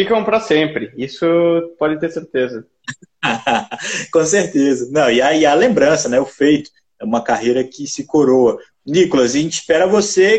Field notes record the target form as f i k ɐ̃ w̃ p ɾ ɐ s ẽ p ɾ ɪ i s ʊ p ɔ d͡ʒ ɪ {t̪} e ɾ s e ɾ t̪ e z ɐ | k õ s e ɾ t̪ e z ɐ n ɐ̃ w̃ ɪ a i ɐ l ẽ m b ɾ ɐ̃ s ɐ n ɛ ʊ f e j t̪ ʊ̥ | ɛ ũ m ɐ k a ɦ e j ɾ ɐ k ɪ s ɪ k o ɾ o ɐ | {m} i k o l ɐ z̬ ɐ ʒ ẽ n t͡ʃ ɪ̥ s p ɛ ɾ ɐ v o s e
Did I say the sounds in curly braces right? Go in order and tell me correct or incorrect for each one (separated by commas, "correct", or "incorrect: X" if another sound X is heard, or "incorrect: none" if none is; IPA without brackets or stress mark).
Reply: correct, incorrect: n